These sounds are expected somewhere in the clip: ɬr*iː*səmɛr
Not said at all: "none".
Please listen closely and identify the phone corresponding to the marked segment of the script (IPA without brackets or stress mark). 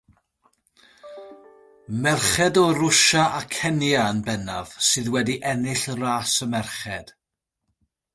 aː